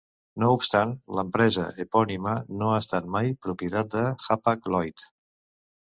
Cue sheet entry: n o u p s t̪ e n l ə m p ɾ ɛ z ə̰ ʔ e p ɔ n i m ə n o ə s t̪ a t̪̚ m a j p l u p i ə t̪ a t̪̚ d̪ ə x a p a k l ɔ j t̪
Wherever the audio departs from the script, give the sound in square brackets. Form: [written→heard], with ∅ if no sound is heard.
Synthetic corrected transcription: n o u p s t̪ [e→a] n l ə m p ɾ ɛ z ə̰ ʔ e p ɔ n i m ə n o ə s t̪ a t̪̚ m a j p [l→ɾ] u p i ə t̪ a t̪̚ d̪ ə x a p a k l ɔ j t̪

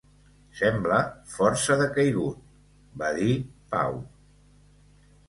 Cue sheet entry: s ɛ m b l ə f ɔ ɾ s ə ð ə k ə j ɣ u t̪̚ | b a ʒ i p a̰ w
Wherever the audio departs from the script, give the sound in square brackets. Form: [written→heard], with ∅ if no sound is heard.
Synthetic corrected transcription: s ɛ m b l ə f ɔ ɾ s ə ð ə k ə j ɣ u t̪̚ | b a [ʒ→ð] i p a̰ w

